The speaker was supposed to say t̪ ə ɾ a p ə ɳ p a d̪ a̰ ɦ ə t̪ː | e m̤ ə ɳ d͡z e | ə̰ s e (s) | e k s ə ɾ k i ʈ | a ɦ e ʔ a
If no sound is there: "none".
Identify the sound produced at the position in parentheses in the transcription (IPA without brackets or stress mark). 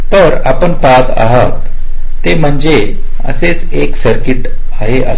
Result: t͡s